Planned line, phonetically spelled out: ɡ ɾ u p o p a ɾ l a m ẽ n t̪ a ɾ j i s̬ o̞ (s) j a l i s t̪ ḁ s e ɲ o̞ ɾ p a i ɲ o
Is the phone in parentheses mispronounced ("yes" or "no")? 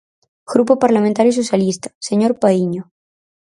no